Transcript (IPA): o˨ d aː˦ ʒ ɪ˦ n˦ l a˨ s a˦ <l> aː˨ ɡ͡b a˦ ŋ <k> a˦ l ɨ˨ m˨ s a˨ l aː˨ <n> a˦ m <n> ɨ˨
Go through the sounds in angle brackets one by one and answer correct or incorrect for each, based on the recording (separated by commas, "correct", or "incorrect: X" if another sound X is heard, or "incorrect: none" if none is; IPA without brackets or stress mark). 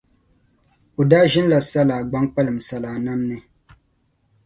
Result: correct, incorrect: k͡p, correct, correct